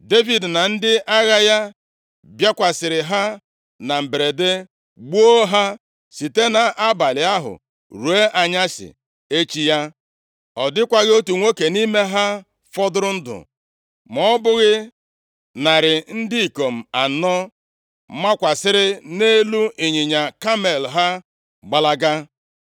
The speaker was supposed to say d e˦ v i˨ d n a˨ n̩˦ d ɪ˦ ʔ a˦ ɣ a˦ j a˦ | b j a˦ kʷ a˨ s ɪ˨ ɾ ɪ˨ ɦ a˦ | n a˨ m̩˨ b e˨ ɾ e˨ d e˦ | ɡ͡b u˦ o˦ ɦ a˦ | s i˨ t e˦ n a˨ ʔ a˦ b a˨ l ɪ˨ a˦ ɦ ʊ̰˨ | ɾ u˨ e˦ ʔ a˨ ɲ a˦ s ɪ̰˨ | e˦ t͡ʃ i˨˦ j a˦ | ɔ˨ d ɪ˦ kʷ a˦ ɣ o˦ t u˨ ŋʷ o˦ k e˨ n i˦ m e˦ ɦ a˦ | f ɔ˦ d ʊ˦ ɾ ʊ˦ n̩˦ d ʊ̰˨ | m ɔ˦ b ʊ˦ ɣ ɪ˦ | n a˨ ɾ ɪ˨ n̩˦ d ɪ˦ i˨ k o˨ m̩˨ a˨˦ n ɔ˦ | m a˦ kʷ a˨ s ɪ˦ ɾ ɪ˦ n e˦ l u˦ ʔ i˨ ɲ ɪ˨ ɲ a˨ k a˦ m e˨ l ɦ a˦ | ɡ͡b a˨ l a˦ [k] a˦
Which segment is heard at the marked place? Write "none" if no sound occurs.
ɡ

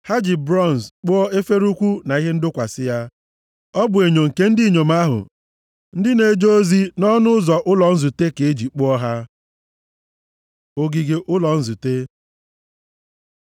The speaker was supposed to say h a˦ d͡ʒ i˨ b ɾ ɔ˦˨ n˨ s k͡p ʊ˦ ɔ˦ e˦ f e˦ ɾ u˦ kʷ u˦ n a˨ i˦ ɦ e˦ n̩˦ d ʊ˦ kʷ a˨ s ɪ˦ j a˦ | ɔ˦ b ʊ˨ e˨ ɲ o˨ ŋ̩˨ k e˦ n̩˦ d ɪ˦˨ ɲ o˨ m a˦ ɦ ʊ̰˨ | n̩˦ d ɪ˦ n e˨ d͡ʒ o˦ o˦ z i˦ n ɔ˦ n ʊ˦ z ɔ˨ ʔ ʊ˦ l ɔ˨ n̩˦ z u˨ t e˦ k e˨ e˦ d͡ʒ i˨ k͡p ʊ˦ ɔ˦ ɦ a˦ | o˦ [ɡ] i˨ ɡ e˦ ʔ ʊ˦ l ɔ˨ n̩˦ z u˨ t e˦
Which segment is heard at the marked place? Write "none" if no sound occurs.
ɡ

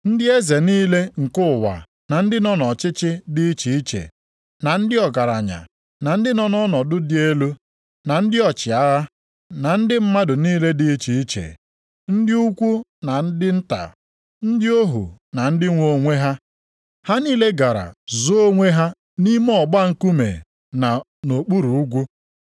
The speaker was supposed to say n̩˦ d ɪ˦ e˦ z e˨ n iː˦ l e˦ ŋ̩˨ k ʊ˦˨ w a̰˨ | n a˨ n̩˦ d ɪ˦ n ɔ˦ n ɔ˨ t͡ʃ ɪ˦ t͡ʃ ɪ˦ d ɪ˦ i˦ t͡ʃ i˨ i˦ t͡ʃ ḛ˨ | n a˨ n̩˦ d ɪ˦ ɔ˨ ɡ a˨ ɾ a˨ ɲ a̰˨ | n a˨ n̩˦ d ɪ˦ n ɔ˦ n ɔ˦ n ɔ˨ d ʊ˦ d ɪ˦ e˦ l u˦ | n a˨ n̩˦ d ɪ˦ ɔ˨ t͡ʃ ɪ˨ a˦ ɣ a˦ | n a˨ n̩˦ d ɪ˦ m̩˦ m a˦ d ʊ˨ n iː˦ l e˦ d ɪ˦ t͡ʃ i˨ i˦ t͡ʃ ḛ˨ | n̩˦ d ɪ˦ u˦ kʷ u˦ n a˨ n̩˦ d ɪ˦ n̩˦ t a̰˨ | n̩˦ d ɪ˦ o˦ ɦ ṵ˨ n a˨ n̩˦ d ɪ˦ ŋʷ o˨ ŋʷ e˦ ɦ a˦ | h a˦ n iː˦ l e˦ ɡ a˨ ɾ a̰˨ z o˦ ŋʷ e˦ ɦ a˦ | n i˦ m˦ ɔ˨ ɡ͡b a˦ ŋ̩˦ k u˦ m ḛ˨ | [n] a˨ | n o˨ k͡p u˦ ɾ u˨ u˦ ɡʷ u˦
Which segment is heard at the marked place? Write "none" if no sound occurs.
n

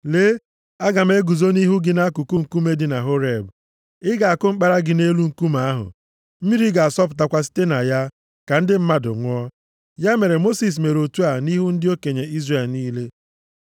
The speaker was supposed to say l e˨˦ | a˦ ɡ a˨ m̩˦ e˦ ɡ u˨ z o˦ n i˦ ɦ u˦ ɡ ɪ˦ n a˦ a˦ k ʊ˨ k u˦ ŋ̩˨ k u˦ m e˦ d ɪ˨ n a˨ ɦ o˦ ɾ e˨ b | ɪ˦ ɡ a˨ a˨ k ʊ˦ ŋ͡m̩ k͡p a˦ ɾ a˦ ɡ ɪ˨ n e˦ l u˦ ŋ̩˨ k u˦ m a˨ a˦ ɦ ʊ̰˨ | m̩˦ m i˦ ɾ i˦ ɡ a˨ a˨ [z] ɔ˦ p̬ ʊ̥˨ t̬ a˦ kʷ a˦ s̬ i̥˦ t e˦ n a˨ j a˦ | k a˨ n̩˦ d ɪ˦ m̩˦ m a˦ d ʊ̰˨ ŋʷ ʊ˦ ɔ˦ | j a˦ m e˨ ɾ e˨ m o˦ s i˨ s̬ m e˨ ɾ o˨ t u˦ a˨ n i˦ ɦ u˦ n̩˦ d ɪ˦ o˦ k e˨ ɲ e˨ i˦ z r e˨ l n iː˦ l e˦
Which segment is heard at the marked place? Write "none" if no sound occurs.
s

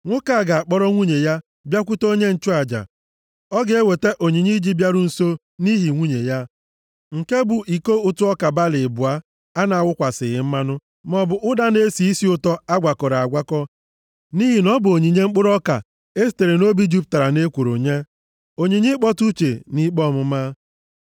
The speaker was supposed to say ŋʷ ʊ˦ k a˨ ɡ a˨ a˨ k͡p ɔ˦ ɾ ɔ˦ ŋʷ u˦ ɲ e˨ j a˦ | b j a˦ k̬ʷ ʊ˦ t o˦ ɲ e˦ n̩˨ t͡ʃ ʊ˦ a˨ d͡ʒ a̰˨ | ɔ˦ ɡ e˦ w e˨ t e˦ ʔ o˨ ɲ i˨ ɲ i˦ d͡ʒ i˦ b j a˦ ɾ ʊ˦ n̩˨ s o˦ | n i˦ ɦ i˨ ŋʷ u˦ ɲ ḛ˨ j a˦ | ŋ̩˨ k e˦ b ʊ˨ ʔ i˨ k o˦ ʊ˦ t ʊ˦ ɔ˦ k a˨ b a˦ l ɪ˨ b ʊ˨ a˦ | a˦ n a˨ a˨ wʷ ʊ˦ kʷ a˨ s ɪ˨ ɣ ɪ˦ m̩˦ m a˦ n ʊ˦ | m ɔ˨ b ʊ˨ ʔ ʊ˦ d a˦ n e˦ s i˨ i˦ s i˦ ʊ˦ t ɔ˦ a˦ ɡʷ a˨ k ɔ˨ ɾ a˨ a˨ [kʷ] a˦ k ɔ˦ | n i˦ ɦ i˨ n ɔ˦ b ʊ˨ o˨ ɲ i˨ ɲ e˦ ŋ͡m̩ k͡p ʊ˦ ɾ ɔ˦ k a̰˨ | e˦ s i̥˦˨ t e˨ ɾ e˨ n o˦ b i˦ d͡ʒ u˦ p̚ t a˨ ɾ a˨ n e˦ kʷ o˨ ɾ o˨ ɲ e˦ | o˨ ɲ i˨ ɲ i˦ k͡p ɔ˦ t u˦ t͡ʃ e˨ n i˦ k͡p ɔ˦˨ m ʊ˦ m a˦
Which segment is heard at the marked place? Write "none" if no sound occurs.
ɡʷ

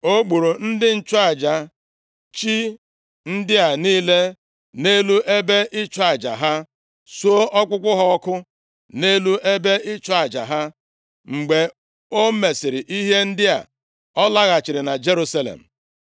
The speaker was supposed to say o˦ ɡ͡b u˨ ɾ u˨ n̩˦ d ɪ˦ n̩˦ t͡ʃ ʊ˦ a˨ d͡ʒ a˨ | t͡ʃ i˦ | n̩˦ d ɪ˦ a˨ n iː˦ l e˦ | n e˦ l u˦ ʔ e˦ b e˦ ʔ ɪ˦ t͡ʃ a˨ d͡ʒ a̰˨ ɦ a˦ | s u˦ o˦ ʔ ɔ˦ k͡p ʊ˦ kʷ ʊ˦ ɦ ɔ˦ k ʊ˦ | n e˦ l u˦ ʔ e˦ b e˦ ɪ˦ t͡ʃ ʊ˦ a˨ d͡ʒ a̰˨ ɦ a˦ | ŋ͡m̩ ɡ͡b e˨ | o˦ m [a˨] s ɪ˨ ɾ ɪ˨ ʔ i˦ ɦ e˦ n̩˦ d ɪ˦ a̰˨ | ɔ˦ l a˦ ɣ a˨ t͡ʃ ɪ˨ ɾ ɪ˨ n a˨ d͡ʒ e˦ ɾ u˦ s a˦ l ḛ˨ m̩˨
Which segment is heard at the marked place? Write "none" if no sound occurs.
e˨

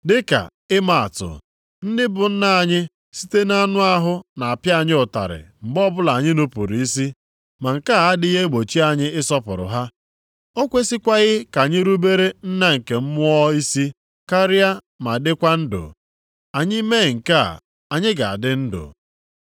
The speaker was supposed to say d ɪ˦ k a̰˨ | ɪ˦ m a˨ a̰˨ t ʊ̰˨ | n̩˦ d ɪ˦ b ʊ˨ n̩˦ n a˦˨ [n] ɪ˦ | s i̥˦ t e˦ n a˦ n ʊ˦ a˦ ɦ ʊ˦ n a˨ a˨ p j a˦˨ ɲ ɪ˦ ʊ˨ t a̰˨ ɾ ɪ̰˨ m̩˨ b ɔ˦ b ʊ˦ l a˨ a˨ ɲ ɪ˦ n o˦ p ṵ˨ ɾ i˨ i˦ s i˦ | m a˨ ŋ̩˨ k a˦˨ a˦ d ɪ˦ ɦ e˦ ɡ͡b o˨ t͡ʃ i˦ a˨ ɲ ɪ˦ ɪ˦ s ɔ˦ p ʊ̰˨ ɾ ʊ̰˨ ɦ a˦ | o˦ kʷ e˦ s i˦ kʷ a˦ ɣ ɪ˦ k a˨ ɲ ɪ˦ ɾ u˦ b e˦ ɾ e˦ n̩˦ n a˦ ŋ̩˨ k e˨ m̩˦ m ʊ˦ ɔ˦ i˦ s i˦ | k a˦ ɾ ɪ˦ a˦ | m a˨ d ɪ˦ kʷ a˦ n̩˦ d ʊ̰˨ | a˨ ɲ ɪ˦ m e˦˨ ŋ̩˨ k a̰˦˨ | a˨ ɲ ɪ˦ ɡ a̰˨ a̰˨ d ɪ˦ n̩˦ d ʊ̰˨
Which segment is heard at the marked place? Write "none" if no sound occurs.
ɲ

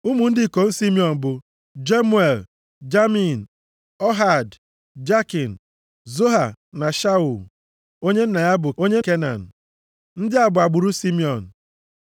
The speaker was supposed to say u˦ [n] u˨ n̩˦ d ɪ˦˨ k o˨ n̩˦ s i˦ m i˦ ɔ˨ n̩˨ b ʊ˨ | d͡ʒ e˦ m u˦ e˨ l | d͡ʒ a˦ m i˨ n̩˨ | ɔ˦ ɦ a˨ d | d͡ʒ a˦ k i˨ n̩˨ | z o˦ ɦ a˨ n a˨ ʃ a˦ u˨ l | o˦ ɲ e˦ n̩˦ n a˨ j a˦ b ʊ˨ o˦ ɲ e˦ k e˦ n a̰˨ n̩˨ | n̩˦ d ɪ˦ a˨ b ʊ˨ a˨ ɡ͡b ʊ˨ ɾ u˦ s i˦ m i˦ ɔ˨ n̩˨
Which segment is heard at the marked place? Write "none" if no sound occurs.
m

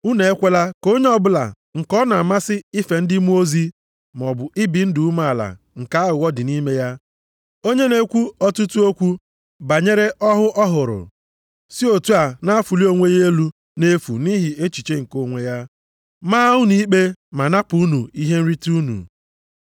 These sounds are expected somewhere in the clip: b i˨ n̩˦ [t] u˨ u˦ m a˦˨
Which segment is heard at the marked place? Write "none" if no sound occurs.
d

